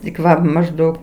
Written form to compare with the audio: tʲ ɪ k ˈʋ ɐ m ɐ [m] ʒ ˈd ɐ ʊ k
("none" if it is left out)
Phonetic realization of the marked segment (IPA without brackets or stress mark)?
none